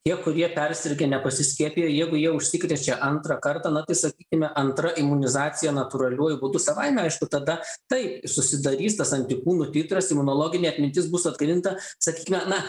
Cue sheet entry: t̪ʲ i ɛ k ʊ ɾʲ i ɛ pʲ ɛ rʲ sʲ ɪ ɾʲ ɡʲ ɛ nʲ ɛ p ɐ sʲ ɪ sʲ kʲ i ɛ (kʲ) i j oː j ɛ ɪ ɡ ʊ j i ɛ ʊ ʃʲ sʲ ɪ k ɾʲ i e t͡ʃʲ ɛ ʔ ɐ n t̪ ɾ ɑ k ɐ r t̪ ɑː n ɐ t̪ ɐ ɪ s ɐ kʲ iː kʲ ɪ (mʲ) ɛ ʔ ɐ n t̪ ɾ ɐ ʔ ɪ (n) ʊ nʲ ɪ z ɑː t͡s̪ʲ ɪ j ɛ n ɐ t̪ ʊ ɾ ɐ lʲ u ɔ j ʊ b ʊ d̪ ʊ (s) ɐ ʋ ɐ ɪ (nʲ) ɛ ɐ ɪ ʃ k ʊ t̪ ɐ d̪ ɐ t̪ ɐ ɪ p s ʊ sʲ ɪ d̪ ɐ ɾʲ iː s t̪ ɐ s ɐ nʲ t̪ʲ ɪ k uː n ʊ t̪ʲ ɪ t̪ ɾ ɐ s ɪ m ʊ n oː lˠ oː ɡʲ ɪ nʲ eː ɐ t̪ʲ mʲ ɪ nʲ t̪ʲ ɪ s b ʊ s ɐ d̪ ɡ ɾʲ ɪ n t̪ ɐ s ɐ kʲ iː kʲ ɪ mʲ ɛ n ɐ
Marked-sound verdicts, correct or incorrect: incorrect: pʲ, correct, incorrect: m, correct, incorrect: mʲ

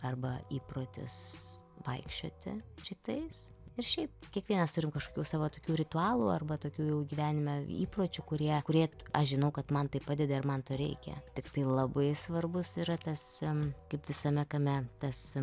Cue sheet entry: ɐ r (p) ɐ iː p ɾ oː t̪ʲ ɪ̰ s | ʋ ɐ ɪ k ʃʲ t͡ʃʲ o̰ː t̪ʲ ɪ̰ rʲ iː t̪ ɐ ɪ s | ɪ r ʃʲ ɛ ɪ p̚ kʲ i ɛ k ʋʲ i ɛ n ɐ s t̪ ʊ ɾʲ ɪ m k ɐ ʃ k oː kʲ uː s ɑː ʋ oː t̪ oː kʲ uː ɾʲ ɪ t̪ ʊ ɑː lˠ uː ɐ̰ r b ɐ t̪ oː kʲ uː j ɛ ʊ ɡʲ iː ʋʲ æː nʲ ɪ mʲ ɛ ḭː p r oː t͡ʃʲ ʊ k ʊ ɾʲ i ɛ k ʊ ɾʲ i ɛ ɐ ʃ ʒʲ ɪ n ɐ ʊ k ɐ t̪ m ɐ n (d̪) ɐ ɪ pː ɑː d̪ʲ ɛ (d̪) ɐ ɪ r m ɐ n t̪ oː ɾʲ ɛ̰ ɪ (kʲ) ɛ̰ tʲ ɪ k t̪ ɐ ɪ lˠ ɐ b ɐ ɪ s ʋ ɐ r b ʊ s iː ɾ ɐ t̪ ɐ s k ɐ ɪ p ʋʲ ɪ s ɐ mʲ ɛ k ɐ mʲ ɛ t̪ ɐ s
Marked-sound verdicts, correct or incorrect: incorrect: b, incorrect: t̪, correct, correct

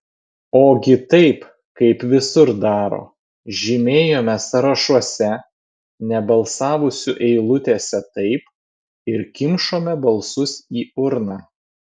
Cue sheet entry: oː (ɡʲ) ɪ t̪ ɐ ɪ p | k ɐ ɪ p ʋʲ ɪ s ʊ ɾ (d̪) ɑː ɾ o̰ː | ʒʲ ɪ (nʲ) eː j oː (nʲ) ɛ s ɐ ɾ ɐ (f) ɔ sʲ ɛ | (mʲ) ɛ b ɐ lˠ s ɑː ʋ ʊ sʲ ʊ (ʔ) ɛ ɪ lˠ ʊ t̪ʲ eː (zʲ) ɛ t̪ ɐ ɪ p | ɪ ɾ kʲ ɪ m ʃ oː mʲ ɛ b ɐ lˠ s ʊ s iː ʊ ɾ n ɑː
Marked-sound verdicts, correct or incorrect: correct, correct, incorrect: mʲ, incorrect: mʲ, incorrect: ʃ, incorrect: nʲ, correct, incorrect: sʲ

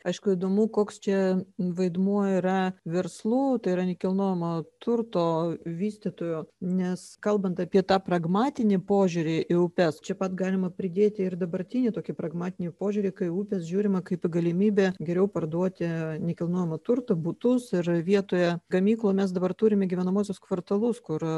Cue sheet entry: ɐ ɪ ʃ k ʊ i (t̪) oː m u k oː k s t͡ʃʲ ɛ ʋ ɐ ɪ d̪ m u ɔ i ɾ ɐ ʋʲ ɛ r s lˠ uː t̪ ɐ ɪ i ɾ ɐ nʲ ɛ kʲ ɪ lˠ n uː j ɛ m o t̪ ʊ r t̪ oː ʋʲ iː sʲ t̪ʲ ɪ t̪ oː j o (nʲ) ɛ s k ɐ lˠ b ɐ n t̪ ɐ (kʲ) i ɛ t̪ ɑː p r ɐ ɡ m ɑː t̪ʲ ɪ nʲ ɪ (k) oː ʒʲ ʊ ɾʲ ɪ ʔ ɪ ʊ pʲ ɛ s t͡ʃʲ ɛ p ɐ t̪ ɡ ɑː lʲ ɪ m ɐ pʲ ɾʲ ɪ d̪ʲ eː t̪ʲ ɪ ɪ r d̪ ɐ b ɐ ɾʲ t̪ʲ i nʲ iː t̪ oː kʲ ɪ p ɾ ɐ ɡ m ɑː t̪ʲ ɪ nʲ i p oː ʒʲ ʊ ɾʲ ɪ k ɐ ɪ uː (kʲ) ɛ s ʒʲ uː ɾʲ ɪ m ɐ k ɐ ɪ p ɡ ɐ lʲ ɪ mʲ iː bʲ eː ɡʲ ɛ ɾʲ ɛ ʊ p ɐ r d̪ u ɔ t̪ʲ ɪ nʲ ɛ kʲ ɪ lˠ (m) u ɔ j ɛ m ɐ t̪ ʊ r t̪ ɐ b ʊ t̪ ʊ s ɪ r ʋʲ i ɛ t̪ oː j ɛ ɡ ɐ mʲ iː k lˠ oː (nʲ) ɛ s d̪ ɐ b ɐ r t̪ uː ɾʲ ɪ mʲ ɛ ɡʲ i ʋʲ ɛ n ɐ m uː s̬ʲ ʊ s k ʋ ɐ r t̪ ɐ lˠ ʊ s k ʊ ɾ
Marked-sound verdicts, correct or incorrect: incorrect: d̪, correct, incorrect: pʲ, incorrect: p, incorrect: pʲ, incorrect: n, incorrect: mʲ

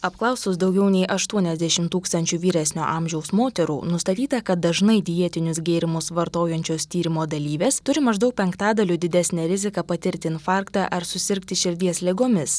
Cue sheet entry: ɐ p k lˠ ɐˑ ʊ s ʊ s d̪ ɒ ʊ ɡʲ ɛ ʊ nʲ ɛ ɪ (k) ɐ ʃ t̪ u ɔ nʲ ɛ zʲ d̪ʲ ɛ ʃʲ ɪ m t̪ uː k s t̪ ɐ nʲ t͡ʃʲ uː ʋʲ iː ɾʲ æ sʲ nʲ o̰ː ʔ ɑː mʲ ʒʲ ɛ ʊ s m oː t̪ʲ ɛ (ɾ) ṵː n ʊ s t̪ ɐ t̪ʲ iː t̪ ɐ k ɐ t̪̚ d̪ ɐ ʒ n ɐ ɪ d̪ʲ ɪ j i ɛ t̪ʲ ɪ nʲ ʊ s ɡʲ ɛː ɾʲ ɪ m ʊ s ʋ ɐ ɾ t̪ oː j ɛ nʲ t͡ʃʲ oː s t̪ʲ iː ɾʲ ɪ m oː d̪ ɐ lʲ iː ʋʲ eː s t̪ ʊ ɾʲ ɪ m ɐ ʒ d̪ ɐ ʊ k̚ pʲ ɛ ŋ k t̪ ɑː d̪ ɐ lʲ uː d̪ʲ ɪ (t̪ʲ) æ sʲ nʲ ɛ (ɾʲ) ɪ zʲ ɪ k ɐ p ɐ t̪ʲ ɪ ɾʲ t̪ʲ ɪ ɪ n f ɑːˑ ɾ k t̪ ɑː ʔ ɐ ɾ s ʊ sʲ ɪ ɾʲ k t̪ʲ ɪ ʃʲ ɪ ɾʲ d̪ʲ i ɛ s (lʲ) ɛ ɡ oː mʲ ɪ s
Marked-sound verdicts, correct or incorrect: incorrect: ʔ, correct, incorrect: d̪ʲ, correct, correct

